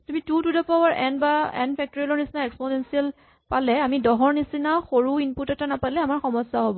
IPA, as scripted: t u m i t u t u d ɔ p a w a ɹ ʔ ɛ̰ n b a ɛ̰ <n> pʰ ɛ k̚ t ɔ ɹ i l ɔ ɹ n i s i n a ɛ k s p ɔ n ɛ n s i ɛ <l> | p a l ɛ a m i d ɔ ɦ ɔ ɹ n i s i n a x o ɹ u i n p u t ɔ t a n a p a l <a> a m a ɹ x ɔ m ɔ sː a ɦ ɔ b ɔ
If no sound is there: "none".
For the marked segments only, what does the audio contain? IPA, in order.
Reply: n, l, ɛ

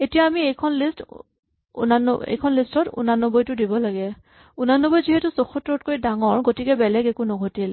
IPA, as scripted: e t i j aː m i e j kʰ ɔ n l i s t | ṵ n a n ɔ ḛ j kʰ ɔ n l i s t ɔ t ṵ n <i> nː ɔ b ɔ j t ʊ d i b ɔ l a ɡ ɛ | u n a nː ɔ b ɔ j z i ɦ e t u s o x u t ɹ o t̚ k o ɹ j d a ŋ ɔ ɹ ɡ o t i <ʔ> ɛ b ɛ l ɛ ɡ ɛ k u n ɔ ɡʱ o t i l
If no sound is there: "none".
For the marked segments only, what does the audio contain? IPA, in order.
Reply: a, k

